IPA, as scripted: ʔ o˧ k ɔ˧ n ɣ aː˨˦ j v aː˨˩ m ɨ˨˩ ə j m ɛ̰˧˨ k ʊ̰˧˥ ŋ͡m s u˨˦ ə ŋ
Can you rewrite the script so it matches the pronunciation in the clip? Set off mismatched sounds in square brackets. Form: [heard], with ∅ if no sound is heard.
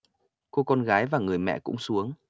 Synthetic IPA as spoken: [k] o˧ k ɔ˧ n ɣ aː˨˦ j v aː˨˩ [ŋ] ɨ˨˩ ə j m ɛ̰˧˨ k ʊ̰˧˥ ŋ͡m s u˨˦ ə ŋ